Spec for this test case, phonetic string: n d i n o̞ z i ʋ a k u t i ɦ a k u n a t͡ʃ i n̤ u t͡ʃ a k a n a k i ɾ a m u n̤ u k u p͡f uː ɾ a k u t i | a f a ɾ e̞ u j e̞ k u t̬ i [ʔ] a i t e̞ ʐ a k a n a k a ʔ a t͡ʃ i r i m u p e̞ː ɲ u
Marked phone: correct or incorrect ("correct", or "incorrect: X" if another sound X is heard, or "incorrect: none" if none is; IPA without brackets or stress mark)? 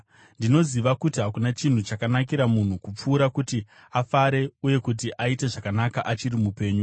correct